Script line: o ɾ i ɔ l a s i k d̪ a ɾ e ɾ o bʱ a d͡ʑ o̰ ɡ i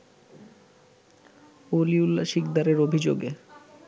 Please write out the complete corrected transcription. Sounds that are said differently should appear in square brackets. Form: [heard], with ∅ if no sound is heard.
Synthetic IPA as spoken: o [l] i [u] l a [ʃ] i k d̪ a ɾ e ɾ o bʱ [i] d͡ʑ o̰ ɡ [e]